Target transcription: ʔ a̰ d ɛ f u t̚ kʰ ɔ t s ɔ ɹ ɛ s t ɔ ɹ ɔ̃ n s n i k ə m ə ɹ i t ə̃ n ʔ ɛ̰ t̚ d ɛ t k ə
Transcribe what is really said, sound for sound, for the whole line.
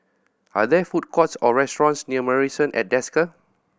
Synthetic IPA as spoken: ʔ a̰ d ɛ f u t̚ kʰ ɔ t s ɔ ɹ ɛ s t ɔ ɹ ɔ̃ n s n i ə m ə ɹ i s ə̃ n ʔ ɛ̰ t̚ d ɛ s k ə

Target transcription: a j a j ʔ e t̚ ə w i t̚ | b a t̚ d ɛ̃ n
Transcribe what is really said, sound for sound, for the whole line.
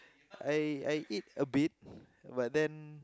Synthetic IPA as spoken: a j a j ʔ i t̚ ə b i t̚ | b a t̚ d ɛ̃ n

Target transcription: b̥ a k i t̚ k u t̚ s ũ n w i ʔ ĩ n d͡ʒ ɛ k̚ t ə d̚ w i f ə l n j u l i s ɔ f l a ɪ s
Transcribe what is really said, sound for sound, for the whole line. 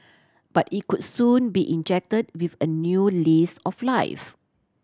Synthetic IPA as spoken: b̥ a t i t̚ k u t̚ s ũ n b i ʔ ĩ n d͡ʒ ɛ k̚ t ə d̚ w i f ə n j u l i s ɔ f l a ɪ f

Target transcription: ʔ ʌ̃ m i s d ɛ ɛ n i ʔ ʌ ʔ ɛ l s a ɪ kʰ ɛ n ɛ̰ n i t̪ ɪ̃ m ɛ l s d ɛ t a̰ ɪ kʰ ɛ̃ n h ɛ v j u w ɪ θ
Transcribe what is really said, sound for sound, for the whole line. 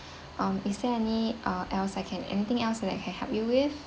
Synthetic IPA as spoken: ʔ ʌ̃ m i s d ɛ ɛ n i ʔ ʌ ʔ ɛ l s a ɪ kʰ ɛ̃ n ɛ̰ n i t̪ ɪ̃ ŋ ɛ l s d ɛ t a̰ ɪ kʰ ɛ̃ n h ɛ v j u w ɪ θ

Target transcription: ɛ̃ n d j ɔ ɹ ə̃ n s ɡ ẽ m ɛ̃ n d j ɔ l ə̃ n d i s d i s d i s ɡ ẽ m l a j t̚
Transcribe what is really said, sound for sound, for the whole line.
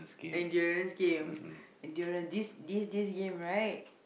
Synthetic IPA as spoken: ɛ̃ n d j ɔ ɹ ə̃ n s ɡ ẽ m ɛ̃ n d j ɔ ɹ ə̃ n d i s d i s d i s ɡ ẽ m ɹ a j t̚

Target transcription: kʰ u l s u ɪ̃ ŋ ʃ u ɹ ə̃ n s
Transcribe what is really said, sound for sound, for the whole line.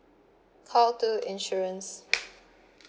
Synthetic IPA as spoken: kʰ ɔ l t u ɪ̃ n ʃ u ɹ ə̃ n s

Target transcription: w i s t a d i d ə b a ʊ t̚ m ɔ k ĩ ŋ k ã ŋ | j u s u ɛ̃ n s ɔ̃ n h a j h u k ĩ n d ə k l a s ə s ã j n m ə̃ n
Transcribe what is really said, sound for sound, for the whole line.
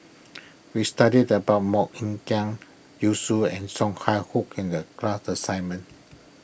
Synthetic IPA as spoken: w i s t a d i d ə b a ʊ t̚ m ɔ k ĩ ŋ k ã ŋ | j u s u ɛ̃ n s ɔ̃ ŋ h a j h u k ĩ n d ə k l a s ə s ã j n m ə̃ n

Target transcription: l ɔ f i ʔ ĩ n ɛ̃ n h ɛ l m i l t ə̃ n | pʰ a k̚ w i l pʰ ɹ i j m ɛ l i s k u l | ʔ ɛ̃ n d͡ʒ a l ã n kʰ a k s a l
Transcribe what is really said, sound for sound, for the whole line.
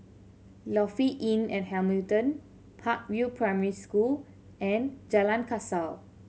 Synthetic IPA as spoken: l ɔ f i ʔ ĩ n ɛ̃ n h ɛ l m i l t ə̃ n | pʰ a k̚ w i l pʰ ɹ a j m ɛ ɹ i s k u l | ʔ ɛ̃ n d͡ʒ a l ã n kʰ a s a l

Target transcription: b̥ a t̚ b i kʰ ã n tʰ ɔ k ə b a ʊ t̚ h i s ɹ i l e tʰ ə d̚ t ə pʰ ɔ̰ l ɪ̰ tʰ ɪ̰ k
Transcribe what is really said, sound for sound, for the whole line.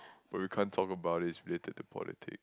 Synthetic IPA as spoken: b̥ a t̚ w i kʰ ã n tʰ ɔ k ə b a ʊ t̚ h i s ɹ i l e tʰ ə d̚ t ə pʰ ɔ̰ l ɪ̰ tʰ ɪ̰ k

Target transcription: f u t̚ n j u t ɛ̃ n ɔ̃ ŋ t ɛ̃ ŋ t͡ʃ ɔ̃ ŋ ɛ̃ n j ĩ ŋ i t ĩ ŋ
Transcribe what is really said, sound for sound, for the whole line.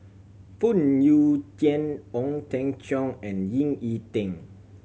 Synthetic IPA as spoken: f u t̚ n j u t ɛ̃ n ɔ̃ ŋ t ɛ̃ ŋ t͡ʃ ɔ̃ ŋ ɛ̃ n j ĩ ŋ i t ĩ ŋ

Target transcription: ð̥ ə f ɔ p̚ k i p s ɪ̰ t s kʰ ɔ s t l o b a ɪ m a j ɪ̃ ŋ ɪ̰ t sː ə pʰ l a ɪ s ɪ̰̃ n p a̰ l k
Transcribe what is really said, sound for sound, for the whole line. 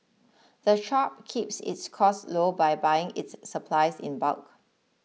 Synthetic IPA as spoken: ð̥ ə ʃ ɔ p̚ kʰ i p s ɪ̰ t s kʰ ɔ s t l o b a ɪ b a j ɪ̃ ŋ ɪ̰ t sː ə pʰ l a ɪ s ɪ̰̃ n b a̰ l k

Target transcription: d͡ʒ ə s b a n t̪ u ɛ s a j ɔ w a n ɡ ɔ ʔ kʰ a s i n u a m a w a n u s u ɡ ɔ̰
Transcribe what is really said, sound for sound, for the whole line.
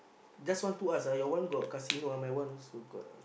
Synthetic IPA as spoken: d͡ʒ a s w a n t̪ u a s a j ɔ w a n ɡ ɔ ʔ k a s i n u a m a w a n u s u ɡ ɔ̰

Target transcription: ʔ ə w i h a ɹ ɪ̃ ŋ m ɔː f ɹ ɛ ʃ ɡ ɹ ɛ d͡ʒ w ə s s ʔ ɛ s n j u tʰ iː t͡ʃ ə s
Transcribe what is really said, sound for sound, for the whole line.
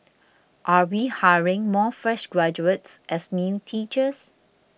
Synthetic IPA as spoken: ʔ a w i h a ɹ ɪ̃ ŋ m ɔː f ɹ ɛ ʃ ɡ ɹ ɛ d͡ʒ u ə t s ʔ ɛ s n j u tʰ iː t͡ʃ ə s

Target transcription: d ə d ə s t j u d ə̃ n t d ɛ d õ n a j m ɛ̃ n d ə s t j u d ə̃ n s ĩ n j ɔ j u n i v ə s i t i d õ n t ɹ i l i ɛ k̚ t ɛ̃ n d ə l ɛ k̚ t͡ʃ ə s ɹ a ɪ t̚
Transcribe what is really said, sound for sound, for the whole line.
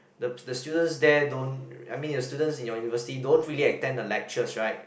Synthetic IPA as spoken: d ə d ə s t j u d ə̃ n s d ɛ d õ n a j m ĩ n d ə s t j u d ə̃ n s ĩ n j ɔ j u n i v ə s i t i d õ n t ɹ i l i ɛ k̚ t ɛ̃ n d ə l ɛ k̚ t͡ʃ ə s ɹ a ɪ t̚

